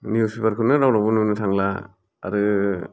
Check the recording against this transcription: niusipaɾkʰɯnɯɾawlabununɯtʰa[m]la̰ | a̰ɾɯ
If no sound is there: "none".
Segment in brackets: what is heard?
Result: ŋ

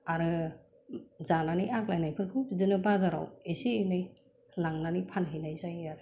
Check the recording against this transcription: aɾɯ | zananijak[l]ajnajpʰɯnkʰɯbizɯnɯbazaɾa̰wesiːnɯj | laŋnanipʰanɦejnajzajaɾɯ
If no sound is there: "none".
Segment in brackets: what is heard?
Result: l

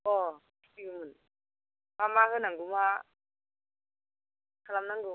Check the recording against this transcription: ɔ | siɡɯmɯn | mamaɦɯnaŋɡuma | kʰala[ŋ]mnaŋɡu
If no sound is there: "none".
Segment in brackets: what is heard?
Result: none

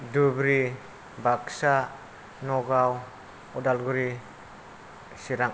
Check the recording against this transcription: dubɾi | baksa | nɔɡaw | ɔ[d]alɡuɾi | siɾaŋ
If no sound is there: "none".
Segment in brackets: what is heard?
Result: d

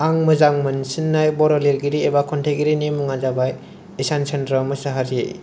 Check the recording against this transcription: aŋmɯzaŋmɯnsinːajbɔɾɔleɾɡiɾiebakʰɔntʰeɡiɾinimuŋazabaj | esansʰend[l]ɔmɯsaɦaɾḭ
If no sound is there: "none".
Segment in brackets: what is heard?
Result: ɾ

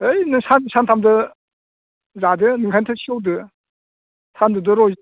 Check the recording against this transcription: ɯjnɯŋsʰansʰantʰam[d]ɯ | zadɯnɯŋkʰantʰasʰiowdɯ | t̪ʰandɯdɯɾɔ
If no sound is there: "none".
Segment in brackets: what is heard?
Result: d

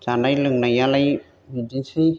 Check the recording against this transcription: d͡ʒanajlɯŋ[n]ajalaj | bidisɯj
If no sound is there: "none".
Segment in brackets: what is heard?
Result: n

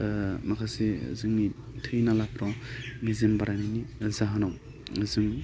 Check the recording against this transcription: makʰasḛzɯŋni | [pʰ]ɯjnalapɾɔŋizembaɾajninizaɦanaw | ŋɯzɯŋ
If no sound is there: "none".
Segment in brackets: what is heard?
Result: tʰ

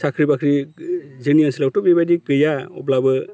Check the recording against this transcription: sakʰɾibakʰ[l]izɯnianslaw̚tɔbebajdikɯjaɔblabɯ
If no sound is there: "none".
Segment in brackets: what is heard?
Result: ɾ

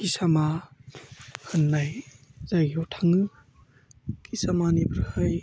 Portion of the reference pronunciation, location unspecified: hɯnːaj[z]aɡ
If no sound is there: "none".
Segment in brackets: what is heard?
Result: z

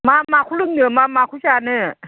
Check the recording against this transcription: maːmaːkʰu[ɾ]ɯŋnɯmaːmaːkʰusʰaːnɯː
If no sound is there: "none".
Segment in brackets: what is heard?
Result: l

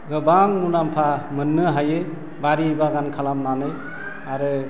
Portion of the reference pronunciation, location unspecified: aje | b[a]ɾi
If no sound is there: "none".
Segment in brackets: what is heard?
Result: a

